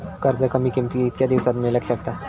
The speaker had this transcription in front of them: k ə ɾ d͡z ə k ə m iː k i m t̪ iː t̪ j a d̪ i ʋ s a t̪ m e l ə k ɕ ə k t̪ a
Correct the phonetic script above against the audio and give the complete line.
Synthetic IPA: k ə ɾ d͡z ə k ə m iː k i m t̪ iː t̪ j a d̪ i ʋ s a t̪ m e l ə k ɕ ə k t̪ a